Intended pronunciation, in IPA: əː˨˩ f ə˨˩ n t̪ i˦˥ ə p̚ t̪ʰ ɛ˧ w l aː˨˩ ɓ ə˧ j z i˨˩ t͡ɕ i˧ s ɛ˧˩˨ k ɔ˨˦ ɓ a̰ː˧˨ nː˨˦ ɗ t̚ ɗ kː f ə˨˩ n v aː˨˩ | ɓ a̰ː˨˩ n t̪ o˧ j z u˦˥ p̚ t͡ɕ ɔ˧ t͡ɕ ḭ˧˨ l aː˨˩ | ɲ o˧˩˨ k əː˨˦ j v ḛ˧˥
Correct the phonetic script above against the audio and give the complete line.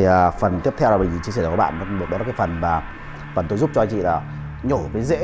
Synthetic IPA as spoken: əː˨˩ f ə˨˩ n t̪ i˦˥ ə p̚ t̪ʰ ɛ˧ w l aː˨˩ ɓ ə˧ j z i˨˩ t͡ɕ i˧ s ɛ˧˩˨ k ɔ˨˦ ɓ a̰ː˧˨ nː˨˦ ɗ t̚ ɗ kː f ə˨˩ n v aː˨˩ | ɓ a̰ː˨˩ n t̪ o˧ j z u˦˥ p̚ t͡ɕ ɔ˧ t͡ɕ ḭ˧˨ l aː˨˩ | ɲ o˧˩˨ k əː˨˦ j z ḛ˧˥

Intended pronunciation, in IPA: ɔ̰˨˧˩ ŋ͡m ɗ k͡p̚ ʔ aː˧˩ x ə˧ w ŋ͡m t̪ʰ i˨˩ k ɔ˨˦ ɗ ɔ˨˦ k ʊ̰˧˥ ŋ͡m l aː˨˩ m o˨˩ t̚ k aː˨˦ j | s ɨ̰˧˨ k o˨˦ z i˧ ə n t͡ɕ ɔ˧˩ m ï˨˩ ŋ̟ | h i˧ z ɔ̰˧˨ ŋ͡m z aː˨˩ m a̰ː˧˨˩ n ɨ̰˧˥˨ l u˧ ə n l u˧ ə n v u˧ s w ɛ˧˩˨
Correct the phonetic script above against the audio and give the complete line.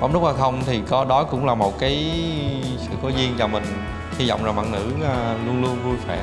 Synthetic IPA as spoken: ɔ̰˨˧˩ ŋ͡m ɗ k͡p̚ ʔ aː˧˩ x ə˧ w ŋ͡m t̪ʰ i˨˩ k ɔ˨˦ ɗ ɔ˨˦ k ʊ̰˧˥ ŋ͡m l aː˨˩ m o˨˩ t̚ k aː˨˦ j | s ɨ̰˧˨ k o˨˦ z i˧ ə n t͡ɕ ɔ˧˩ m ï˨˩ ŋ̟ | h i˧ z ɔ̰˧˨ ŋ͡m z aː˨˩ m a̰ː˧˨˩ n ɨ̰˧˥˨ l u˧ ə n l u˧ ə n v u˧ s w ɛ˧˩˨

